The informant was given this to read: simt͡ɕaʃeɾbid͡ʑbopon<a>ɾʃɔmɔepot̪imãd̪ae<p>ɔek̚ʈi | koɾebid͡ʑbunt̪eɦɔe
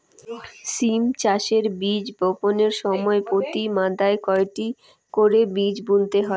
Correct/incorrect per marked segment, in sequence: incorrect: e, incorrect: k

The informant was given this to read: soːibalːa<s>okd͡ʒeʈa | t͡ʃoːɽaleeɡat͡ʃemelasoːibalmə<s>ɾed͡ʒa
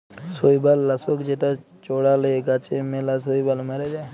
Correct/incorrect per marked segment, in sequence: correct, incorrect: none

